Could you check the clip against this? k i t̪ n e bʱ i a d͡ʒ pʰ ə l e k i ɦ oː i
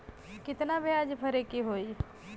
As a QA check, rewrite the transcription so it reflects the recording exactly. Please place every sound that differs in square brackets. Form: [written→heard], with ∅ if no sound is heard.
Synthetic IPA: k [i→ɪ] t̪ n [e→a] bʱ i a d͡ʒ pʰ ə [l→ɾ] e k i ɦ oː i